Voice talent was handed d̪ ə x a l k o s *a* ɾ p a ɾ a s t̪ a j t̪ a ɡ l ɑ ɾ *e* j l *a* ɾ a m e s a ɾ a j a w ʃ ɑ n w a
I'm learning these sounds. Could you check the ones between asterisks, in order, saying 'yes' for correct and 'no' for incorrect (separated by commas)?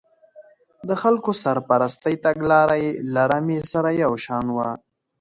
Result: yes, no, yes